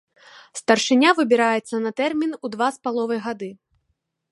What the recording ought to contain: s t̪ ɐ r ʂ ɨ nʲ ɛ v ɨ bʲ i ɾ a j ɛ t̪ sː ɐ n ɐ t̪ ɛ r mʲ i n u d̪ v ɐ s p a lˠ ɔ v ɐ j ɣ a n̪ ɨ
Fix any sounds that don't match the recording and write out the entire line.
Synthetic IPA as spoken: s t̪ ɐ r ʂ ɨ nʲ a v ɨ bʲ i ɾ a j ɛ t̪ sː ɐ n ɐ t̪ ɛ r mʲ i n u d̪ v a s p a lˠ ɔ v ɐ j ɣ a d̪ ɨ